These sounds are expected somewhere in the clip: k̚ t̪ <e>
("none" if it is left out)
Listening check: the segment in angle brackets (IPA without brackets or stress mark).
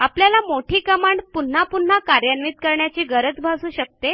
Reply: e